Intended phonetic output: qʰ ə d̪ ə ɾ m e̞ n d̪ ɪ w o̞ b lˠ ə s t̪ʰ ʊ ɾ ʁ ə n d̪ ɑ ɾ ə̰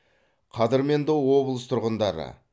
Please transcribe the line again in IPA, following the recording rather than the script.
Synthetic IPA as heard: qʰ ɑ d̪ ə ɾ m e̞ n d̪ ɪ w o̞ b lˠ ə s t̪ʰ ʊ ɾ ʁ ə n d̪ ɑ ɾ ə̰